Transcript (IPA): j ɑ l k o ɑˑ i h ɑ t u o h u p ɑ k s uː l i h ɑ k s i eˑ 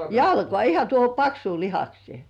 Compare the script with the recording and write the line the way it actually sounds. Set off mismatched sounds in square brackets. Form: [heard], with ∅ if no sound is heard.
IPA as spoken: j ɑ l k o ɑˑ i h ɑ t u o h [o] p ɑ k s uː l i h ɑ k s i eˑ